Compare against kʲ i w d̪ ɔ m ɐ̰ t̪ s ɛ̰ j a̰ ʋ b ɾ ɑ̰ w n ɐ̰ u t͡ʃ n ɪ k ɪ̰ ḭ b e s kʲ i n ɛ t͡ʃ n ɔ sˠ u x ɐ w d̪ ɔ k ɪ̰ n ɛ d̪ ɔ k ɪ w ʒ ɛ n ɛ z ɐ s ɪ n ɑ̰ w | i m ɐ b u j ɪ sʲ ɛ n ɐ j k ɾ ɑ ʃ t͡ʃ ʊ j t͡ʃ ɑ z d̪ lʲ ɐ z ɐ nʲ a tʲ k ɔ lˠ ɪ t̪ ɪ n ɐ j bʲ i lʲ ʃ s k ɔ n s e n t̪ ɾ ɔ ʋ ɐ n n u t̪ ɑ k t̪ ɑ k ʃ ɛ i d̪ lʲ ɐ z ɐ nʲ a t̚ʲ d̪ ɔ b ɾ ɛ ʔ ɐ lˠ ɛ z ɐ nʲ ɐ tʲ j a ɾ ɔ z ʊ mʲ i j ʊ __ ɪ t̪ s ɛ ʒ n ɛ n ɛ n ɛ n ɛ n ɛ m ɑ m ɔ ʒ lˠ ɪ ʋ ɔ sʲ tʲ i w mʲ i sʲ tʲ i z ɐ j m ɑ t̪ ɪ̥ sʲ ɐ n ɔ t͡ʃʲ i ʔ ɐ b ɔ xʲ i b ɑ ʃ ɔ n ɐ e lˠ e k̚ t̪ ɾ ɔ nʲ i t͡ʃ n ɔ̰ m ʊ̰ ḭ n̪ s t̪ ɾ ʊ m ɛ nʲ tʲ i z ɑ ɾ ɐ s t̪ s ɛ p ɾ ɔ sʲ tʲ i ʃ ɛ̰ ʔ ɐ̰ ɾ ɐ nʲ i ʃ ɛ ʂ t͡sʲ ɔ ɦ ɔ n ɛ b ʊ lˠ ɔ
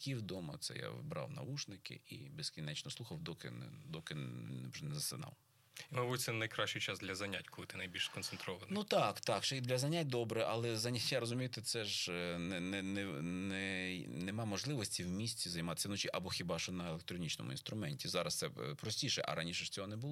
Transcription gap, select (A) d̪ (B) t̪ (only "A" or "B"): B